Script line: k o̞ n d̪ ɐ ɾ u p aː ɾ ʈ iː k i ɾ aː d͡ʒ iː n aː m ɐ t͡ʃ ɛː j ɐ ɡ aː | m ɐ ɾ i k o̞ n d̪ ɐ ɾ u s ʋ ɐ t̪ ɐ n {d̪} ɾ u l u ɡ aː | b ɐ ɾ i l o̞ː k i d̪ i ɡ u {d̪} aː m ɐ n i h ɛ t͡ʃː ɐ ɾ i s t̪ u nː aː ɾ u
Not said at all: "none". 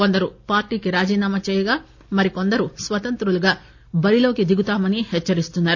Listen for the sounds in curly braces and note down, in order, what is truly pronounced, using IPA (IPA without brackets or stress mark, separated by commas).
t̪, t̪